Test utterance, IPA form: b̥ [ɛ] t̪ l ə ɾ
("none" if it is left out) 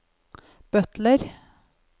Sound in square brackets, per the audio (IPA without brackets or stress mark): œ